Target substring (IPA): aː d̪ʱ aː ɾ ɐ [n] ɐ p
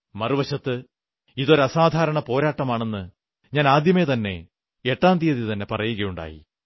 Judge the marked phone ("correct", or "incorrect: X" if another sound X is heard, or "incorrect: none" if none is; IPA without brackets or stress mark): incorrect: ɳ